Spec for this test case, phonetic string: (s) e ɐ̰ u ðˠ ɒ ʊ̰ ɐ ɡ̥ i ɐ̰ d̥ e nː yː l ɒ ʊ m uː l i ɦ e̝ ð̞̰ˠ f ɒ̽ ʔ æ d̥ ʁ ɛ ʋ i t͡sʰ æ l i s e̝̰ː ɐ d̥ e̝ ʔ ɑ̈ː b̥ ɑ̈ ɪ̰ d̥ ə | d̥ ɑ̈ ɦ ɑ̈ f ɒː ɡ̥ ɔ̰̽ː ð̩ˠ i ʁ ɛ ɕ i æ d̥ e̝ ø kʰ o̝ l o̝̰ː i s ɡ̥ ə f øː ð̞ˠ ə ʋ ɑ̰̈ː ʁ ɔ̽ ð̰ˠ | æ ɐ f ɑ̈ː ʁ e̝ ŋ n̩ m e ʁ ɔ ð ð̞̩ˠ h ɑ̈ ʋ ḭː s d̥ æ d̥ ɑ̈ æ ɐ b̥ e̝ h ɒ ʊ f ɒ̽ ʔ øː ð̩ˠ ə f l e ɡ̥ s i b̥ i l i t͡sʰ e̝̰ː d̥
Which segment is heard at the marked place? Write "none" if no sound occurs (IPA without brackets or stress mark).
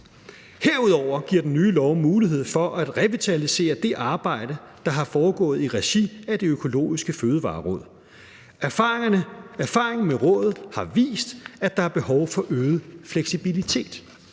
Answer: h